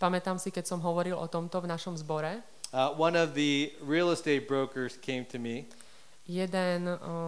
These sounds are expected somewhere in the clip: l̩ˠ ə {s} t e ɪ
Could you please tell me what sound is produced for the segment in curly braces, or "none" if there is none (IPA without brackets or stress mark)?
s